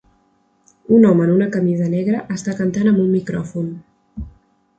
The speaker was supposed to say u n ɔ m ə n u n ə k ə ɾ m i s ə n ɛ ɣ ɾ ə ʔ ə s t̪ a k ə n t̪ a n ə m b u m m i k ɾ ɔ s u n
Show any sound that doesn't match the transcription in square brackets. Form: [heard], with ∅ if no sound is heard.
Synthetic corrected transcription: u n ɔ m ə n u n ə k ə [∅] m i [z] ə n ɛ ɣ ɾ ə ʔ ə s t̪ a k ə n t̪ a n ə m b u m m i k ɾ ɔ [f] u n